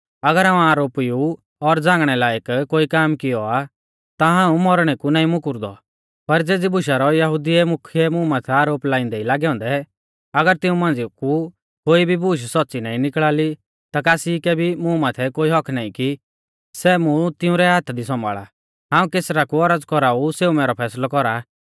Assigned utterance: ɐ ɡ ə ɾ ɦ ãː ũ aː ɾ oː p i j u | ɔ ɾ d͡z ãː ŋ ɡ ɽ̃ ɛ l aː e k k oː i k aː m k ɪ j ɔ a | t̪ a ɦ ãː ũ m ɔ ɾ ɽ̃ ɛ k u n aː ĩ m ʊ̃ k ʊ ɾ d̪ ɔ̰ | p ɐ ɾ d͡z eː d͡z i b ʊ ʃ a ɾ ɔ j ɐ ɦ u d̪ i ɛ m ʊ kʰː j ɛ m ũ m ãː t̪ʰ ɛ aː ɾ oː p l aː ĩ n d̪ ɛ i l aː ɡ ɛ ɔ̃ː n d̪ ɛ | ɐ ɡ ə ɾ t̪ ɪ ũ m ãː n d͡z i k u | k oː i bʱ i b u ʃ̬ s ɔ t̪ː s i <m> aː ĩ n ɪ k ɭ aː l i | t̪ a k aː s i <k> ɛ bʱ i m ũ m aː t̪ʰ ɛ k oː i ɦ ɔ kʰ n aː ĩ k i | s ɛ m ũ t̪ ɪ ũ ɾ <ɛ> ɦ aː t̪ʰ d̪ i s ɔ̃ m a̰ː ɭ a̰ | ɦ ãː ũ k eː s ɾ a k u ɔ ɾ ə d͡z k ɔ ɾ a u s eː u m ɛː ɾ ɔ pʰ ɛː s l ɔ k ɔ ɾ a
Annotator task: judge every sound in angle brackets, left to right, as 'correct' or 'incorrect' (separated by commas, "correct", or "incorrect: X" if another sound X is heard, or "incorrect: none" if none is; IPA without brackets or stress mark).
incorrect: n, correct, correct